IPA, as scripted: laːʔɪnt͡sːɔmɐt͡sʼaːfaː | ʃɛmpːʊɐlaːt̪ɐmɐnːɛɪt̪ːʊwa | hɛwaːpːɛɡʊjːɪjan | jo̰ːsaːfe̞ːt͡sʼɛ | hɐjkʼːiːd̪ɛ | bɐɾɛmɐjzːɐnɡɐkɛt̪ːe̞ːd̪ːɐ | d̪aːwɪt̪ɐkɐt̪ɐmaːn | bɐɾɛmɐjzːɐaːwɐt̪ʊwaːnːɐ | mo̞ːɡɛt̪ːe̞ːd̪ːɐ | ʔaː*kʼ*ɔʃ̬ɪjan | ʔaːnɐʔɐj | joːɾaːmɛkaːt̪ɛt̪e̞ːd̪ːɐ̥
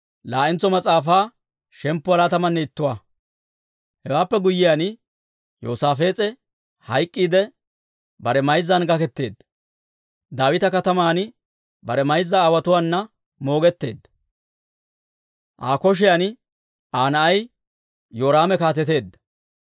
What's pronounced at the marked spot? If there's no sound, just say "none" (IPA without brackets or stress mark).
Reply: k